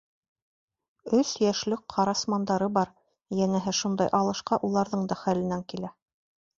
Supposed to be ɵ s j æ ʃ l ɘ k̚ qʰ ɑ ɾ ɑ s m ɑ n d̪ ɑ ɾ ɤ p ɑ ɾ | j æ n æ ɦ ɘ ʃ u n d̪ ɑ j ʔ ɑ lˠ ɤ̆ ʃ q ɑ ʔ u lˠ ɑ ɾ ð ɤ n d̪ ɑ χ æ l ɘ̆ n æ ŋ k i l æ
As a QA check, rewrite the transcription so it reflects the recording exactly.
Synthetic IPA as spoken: ɵ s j æ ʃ l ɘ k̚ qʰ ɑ ɾ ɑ s m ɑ n d̪ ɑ ɾ ɤ b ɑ ɾ | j æ n æ ɦ ɘ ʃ u n d̪ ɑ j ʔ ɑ lˠ ɤ̆ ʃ q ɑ ʔ u lˠ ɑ ɾ ð ɤ ɴ d̪ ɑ χ æ l ɘ̆ n æ ŋ k i l æ